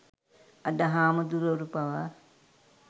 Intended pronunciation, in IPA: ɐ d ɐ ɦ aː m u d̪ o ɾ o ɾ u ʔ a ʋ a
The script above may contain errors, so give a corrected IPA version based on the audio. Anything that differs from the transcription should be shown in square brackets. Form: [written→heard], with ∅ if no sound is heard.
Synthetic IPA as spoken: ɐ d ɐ ɦ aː m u d̪ [o→u] ɾ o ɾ u [ʔ→p] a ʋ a